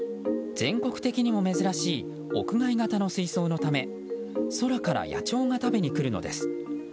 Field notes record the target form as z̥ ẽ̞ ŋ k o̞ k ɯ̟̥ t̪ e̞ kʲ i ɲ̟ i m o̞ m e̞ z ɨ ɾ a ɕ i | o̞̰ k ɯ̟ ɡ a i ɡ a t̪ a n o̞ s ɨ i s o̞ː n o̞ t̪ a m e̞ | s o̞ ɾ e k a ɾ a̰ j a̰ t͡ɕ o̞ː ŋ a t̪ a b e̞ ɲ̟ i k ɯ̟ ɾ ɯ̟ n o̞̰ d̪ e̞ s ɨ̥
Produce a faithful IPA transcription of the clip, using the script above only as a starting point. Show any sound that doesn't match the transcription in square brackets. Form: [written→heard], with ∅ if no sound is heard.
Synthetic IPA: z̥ ẽ̞ ŋ k o̞ k ɯ̟̥ t̪ e̞ kʲ i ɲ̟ i m o̞ m e̞ z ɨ ɾ a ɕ [i→iː] | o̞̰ k ɯ̟ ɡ a i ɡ a t̪ a n o̞ s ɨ i s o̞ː n o̞ t̪ a m e̞ | s o̞ ɾ [e→a] k a ɾ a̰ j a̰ t͡ɕ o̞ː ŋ a t̪ a b e̞ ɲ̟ i k ɯ̟ ɾ ɯ̟ n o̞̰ d̪ e̞ s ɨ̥